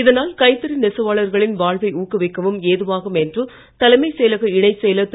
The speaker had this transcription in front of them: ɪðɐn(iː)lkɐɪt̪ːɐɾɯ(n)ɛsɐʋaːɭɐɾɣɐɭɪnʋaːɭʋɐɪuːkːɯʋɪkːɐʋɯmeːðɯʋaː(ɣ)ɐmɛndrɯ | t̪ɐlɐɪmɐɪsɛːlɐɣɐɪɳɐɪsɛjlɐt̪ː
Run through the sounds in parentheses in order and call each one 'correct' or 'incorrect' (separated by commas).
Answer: incorrect, correct, correct